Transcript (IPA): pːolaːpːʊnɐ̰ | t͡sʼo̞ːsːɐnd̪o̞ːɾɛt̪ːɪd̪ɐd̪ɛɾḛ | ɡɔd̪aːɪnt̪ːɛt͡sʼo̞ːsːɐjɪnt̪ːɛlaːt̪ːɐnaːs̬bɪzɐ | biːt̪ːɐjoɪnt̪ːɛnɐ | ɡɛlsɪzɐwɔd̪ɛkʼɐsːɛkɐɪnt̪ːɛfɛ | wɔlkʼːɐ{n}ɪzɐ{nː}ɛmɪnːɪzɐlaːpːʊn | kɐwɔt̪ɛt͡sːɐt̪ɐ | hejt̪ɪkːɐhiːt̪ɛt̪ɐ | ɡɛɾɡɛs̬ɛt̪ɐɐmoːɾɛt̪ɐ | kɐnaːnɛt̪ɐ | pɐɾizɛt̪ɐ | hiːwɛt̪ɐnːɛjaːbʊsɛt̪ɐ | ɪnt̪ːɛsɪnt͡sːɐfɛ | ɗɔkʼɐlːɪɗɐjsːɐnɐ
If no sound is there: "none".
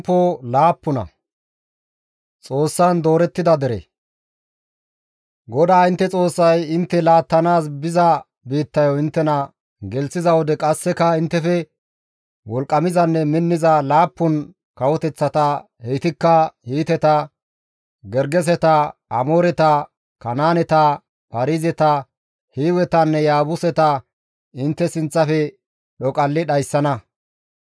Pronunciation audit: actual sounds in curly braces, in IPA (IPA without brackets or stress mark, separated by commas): m, nː